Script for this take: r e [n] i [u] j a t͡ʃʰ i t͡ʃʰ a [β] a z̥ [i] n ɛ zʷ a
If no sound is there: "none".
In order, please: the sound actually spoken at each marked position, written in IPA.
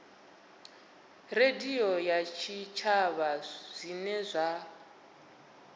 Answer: d, ɔ, β, i

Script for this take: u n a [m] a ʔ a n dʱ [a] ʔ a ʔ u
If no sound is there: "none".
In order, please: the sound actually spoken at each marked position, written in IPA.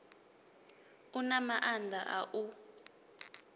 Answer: m, a

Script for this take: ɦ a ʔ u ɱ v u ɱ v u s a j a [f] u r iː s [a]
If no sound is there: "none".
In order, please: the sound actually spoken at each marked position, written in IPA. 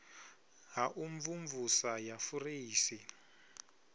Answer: f, i

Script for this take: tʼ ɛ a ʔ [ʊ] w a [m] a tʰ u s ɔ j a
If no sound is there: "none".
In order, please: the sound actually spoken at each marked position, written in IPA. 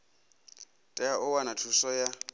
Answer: ʊ, n

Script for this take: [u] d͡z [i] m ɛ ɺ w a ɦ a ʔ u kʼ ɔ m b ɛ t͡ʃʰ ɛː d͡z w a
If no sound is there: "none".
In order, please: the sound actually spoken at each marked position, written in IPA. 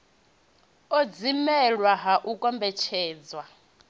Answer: ɔ, i

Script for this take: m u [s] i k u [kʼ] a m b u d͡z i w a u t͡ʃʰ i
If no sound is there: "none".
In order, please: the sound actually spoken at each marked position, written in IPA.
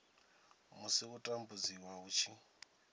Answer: s, tʼ

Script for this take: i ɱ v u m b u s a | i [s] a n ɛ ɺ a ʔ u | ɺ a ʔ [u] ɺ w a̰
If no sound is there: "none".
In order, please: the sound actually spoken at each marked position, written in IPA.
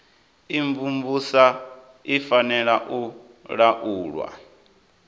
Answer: f, uː

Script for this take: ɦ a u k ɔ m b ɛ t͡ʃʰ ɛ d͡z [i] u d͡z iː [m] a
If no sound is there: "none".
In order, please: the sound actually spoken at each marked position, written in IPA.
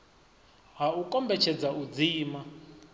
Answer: a, m

